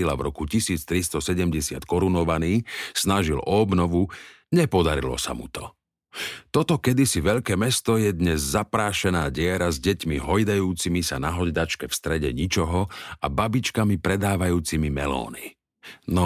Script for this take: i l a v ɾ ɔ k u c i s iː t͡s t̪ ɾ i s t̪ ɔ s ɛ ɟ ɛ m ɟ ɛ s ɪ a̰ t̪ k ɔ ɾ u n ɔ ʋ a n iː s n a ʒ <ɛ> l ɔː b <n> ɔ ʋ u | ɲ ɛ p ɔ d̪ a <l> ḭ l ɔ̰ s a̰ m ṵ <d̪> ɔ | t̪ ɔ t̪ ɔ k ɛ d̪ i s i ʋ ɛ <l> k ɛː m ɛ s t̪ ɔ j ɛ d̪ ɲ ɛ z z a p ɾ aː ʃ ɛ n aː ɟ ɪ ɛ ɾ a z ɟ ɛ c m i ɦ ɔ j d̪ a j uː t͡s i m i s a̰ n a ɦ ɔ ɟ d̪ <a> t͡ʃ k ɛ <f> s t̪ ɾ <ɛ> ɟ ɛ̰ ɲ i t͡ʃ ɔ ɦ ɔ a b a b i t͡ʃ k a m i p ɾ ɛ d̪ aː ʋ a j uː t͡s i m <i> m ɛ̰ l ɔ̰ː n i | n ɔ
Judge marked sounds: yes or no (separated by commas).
no, yes, no, no, no, yes, yes, yes, yes